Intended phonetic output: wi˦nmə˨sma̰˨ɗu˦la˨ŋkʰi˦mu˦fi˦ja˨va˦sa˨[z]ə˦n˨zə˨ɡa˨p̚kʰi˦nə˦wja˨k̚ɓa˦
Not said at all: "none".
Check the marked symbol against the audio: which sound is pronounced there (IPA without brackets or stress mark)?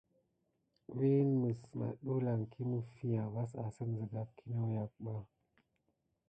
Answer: s